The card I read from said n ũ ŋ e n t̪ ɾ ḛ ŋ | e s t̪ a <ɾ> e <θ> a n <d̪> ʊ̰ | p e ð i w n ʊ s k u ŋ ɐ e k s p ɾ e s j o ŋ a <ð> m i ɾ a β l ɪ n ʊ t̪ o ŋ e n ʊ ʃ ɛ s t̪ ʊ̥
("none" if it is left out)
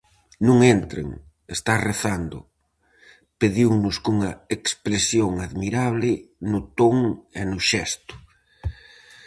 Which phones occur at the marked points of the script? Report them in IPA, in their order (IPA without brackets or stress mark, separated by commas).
r, θ, d̪, ð